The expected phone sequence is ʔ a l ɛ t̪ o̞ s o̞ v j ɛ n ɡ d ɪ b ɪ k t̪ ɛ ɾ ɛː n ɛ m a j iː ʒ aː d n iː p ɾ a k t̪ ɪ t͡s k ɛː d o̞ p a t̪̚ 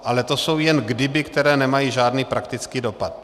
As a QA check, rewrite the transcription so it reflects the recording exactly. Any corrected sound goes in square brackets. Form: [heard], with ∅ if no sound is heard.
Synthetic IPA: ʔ a l ɛ t̪ o̞ s o̞ [w] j ɛ n ɡ d ɪ b ɪ k t̪ ɛ ɾ ɛː n ɛ m a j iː ʒ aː d n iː p ɾ a k t̪ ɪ t͡s k [iː] d o̞ p a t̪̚

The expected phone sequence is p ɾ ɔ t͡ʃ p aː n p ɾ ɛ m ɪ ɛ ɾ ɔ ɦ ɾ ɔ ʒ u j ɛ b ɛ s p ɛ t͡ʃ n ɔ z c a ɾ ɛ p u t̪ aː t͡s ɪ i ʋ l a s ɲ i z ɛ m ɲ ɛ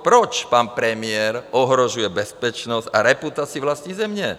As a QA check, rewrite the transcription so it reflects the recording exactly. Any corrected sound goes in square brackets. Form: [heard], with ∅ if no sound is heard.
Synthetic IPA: p ɾ ɔ t͡ʃ p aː n p ɾ ɛ m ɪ ɛ ɾ ɔ ɦ ɾ ɔ ʒ u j ɛ b ɛ s p ɛ t͡ʃ n ɔ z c a ɾ ɛ p u t̪ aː t͡s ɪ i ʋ l a s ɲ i z ɛ m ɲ ɛ

